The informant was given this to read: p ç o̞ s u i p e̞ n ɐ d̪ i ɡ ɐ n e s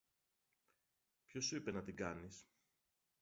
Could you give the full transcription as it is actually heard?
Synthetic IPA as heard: p ç o̞ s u i p e̞ n ɐ t̪ i ɡ ɐ n i s